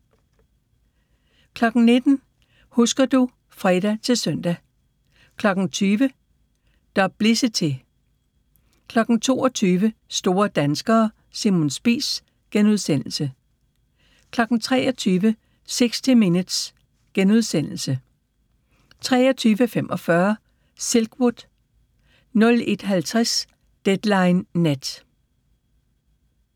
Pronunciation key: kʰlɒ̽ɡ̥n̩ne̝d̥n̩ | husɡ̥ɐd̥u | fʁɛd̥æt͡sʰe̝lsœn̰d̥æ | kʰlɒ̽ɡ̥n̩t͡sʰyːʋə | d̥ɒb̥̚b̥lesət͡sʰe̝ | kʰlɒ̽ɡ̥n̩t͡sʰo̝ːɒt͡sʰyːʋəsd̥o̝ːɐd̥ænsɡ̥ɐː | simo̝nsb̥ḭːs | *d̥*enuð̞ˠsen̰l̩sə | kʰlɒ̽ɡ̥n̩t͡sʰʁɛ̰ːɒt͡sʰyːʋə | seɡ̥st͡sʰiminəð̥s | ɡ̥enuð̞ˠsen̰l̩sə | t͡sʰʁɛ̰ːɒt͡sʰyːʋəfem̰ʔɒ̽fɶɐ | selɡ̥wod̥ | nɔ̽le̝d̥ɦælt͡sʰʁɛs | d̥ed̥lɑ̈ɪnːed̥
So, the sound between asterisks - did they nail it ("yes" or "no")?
no